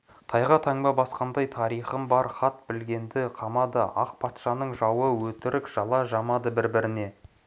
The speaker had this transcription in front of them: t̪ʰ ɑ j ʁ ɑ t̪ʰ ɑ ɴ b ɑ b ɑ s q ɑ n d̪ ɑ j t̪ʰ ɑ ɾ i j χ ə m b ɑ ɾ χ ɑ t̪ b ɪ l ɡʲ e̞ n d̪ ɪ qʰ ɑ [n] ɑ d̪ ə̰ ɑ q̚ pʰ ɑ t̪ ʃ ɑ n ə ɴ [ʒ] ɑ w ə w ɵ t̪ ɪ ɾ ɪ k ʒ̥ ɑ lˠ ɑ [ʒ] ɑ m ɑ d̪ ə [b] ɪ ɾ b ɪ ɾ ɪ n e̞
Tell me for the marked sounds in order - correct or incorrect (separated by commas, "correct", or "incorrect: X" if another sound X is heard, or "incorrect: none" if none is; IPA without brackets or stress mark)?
incorrect: m, correct, correct, correct